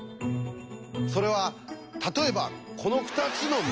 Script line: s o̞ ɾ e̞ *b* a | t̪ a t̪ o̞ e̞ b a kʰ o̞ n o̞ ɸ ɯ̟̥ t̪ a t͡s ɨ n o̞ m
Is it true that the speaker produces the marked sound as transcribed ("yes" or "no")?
no